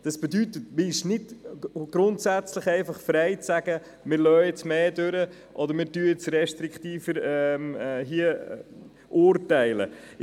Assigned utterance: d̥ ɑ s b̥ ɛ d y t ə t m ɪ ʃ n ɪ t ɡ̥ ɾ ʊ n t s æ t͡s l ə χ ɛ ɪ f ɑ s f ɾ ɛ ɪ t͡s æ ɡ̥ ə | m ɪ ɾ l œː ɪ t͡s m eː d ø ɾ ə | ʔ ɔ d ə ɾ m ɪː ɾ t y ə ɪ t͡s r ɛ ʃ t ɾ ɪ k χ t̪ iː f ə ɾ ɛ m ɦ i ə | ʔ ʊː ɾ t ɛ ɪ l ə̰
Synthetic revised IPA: d̥ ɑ s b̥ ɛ d y t ə t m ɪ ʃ n ɪ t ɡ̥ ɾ ʊ n t s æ t͡s l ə χ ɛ ɪ f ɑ χ f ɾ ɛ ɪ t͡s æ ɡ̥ ə | m ɪ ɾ l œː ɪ t͡s m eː d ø ɾ ə | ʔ ɔ d ə ɾ m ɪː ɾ t y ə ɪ t͡s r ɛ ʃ t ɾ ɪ k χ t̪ iː f ə ɾ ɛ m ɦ i ə | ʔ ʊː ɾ t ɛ ɪ l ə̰